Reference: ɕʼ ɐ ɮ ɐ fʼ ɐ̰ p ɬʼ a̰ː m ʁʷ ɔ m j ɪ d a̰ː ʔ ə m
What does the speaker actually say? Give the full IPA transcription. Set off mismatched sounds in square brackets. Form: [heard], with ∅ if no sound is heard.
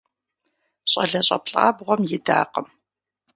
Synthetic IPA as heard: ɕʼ ɐ ɮ ɐ [ɕʼ] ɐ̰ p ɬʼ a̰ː [b] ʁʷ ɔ m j ɪ d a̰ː [q] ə m